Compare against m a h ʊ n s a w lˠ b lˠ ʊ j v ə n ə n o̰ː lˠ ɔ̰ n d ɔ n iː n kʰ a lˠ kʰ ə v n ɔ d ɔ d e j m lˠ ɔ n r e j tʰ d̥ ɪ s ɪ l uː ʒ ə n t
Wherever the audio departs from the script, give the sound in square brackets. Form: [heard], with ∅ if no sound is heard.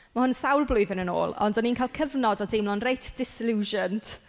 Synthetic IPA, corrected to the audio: m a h ʊ n s a w lˠ b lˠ ʊ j [ð] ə n ə n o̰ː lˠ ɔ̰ n d ɔ n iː n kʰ a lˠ kʰ ə v n ɔ d ɔ d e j m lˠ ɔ n r e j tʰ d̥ ɪ s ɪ l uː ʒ ə n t